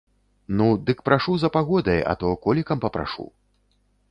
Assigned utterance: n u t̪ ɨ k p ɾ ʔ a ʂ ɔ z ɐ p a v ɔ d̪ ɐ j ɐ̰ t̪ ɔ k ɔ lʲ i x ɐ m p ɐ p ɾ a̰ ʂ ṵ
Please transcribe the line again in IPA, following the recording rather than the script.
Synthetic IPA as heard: n u d̪ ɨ k p ɾ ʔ a ʂ u z ɐ p a ɣ ɔ d̪ ɐ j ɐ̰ t̪ ɔ k ɔ lʲ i k ɐ m p ɐ p ɾ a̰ ʂ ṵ

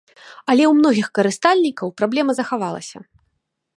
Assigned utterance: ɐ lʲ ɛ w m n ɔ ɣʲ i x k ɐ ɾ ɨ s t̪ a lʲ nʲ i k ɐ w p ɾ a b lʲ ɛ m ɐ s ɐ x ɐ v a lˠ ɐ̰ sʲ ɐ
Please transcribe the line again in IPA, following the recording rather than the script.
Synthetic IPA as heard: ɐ lʲ ɛ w m n ɔ ɣʲ i x k ɐ ɾ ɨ s t̪ a lʲ nʲ i k ɐ w p ɾ a b lʲ ɛ m ɐ z ɐ x a v a lˠ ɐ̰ sʲ ɐ

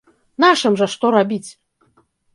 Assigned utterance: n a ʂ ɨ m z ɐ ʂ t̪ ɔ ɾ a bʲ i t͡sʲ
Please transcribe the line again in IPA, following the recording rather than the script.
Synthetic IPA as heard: n a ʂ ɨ m ʐ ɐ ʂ t̪ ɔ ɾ a bʲ i t͡sʲ

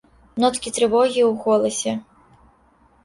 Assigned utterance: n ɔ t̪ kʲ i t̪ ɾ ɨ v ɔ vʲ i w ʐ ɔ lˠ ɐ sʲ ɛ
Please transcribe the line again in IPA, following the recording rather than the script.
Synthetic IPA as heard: n ɔ t̪ kʲ i t̪ ɾ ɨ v ɔ ɣʲ i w ɣ ɔ lˠ ɐ sʲ ɛ

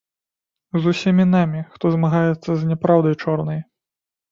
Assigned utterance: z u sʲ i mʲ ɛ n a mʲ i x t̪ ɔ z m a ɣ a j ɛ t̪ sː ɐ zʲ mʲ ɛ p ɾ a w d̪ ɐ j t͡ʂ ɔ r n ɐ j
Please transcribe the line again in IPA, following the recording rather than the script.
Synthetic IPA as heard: z u sʲ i mʲ i n a mʲ i x t̪ ɔ z m a ɣ a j ɛ t̪ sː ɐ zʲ nʲ ɛ p ɾ a w d̪ ɐ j t͡ʂ ɔ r n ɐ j

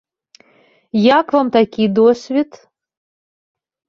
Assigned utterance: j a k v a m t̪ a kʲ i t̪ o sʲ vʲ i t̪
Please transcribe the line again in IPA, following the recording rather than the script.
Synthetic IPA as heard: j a k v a m t̪ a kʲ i d̪ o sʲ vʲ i t̪

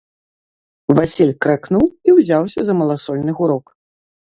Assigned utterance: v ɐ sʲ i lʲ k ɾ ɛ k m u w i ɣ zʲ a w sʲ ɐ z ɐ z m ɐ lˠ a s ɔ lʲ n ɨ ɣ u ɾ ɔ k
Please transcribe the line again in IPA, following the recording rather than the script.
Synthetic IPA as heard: v a sʲ i lʲ k ɾ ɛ k n u w i w zʲ a w sʲ ɐ z ɐ m ɐ lˠ a s ɔ lʲ n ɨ ɣ u ɾ ɔ k

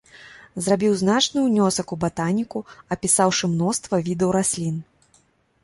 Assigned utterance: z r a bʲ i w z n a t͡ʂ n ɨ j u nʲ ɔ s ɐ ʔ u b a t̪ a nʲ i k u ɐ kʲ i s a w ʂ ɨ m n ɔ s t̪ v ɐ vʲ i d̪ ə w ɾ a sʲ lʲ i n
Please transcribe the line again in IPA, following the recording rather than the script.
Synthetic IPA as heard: z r a bʲ i w z n a t͡ʂ n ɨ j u nʲ ɔ s ɐ k u b a t̪ a nʲ i k u ɐ pʲ i s a w ʂ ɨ m n ɔ s t̪ v ɐ vʲ i d̪ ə w ɾ a sʲ lʲ i n

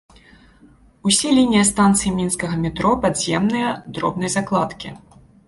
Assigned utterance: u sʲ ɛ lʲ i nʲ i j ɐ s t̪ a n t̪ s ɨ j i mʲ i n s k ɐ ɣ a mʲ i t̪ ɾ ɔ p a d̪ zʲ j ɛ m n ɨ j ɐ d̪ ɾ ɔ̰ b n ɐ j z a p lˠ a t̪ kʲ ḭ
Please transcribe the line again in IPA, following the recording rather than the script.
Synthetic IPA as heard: u sʲ ɛ lʲ i nʲ i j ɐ s t̪ a n t̪ s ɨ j i mʲ i n s k ɐ ɣ ɐ mʲ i t̪ ɾ ɔ p a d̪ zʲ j ɛ m n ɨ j ɐ d̪ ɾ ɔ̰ b n ɐ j z a k lˠ a t̪ kʲ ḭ

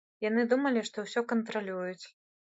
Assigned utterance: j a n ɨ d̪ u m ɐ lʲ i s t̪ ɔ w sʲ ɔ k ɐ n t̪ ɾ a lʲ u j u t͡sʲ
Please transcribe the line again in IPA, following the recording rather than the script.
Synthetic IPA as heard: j a n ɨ d̪ u m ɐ lʲ i ʂ t̪ ɔ w sʲ ɔ k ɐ n t̪ ɾ a lʲ u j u t͡sʲ

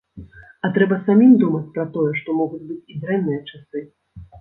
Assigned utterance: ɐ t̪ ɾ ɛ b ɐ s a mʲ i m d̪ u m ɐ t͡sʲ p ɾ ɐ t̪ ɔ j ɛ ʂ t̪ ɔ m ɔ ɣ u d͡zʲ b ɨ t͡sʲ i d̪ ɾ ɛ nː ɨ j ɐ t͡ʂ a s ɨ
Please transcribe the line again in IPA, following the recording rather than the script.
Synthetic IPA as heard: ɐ t̪ ɾ ɛ b ɐ s a mʲ i m d̪ u m ɐ t͡sʲ p ɾ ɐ t̪ ɔ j ɛ ʂ t̪ ɔ m ɔ ɣ u d͡zʲ b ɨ t͡sʲ i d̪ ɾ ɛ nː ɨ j ɐ t͡ʂ a s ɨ

